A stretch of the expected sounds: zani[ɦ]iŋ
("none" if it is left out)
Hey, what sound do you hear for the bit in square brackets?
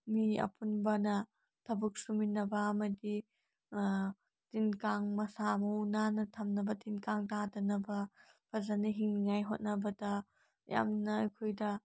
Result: ɦ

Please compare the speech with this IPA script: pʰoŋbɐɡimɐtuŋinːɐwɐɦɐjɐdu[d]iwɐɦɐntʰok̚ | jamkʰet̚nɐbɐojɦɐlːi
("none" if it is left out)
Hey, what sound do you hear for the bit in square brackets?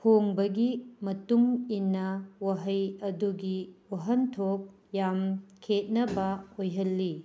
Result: ɡ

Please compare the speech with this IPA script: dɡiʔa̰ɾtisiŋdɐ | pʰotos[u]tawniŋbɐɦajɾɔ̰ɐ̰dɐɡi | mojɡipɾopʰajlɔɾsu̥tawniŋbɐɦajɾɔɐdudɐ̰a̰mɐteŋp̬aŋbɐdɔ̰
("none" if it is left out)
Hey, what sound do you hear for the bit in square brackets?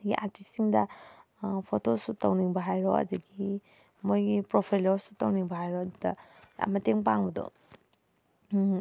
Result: u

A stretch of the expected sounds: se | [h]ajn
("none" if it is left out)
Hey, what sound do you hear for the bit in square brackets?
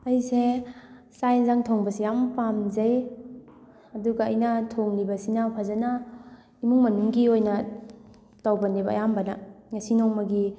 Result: s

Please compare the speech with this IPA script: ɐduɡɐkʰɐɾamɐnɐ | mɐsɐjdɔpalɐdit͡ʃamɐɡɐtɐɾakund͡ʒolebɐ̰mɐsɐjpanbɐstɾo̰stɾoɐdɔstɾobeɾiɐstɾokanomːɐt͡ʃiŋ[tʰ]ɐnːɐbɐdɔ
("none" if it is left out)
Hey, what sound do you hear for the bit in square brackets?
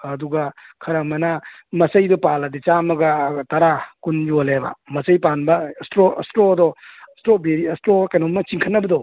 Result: kʰ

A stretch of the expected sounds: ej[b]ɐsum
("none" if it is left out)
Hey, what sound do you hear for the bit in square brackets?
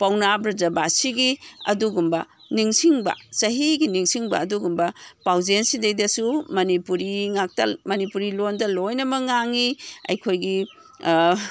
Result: d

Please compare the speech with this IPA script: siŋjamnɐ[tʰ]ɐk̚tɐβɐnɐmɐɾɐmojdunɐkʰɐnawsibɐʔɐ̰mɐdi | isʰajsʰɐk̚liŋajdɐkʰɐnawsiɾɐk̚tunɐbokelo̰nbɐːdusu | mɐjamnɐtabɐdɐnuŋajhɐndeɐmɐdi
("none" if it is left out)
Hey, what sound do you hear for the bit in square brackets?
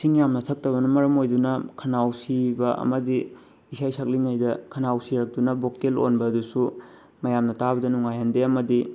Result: tʰ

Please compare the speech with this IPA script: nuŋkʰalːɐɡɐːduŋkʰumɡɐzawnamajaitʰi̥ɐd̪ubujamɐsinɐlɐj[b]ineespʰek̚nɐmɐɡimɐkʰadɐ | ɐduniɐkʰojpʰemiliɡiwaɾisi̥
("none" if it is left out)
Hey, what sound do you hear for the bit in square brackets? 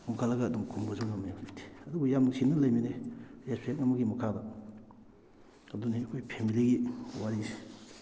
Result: m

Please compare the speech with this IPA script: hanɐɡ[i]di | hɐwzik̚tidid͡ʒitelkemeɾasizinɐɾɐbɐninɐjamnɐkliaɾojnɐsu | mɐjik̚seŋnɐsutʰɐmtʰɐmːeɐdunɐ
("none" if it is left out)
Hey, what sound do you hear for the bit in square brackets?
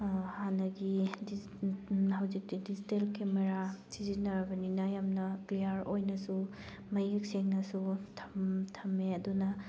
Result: i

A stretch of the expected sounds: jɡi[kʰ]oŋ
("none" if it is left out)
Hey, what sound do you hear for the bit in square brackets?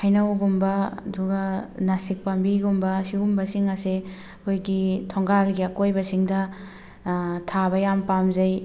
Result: tʰ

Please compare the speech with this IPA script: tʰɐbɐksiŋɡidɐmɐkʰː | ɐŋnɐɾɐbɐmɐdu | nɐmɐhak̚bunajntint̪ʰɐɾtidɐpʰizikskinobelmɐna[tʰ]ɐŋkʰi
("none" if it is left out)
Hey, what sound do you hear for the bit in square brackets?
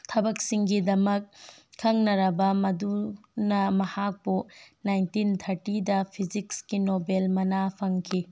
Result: pʰ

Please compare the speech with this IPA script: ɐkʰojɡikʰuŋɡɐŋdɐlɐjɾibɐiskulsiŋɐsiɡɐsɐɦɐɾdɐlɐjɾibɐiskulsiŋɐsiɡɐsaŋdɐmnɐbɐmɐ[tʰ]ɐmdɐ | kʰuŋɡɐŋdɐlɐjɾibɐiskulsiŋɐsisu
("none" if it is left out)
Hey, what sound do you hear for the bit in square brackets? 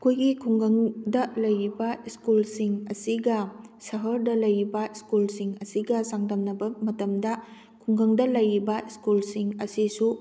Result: t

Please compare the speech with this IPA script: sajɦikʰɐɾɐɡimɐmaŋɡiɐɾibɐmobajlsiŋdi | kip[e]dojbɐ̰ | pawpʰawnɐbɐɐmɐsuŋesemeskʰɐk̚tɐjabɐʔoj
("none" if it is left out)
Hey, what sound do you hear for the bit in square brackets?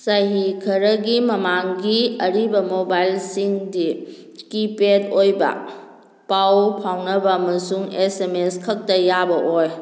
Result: e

